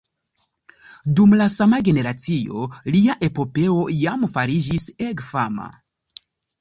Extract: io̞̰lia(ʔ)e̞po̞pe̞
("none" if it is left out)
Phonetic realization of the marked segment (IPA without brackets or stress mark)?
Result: ʔ